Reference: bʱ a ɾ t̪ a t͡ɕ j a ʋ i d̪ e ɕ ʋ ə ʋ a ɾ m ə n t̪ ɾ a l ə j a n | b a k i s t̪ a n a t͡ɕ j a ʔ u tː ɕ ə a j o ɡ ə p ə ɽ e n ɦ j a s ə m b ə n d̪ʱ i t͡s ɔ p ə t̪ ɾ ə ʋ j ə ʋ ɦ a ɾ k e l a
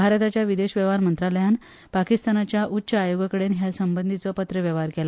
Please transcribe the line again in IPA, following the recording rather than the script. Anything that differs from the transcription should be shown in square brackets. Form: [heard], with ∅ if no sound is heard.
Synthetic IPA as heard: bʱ a ɾ t̪ a t͡ɕ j a ʋ i d̪ e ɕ ʋ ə ʋ a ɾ m ə n t̪ ɾ a l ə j a n | [p] a k i s t̪ a n a t͡ɕ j a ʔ u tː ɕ ə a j o ɡ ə [k] ə ɽ e n ɦ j a s ə m b ə n d̪ʱ i t͡s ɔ p ə t̪ ɾ ə ʋ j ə ʋ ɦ a ɾ k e l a